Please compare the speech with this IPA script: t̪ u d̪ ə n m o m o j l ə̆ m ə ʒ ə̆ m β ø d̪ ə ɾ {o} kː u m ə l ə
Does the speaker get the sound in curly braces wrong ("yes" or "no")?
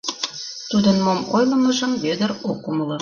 no